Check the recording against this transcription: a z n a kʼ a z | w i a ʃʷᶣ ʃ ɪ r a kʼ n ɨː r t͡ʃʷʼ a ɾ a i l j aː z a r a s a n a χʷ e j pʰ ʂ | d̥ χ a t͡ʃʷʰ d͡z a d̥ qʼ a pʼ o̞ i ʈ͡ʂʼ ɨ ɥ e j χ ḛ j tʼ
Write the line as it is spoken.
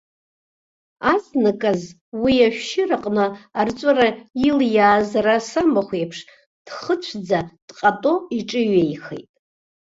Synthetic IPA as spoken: a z n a kʼ a z | w i a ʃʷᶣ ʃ ɪ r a qʼ n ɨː r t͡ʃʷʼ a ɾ a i l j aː z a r a s a m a χʷ e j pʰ ʂ | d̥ χ ə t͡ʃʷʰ d͡z a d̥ qʼ a tʼ o̞ i ʈ͡ʂʼ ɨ ɥ e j χ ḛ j tʼ